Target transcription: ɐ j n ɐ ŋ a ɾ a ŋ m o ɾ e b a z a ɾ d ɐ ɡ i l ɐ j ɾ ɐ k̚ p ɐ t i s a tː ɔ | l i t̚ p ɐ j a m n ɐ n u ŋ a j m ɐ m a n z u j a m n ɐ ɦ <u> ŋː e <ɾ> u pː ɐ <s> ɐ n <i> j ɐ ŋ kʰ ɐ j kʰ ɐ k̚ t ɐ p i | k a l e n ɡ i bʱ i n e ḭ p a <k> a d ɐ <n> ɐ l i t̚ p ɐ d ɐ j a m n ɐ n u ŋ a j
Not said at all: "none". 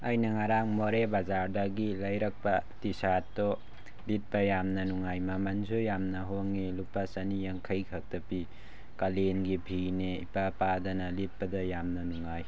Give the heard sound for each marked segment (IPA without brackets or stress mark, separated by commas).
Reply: o, l, s, i, p, n